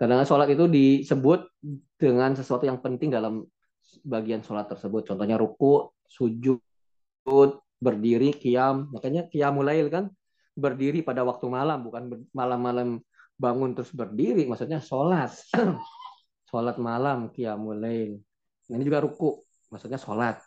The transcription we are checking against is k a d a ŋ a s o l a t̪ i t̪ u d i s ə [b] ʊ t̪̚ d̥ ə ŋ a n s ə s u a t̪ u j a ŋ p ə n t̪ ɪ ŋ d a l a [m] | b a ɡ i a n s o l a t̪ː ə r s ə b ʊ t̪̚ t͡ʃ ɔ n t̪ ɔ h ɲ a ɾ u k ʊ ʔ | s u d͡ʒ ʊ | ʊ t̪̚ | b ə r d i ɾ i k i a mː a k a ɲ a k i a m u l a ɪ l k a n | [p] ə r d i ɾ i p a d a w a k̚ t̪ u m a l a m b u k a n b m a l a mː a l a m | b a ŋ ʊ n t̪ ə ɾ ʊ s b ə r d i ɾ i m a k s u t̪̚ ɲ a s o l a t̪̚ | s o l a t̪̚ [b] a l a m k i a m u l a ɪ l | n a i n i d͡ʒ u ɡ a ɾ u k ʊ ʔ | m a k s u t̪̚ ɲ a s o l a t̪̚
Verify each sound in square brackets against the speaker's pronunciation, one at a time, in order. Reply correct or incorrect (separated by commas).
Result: correct, correct, incorrect, incorrect